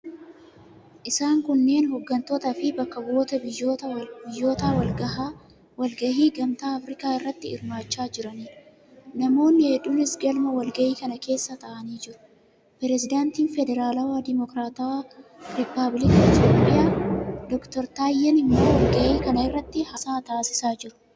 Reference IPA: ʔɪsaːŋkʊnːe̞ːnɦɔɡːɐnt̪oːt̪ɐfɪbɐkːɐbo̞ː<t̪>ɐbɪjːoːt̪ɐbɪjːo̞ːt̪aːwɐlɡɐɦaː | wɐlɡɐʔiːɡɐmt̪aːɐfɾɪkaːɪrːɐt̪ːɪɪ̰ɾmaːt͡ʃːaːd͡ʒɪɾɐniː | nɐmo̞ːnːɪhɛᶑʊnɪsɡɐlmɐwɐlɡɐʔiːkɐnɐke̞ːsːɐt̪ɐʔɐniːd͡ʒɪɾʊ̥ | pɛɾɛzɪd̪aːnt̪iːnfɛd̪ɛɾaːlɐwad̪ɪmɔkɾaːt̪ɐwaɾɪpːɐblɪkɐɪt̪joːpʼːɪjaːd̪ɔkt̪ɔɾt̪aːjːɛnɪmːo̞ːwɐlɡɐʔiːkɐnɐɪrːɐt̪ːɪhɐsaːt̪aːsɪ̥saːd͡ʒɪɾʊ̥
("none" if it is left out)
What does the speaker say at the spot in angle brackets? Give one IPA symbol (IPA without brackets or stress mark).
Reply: t̪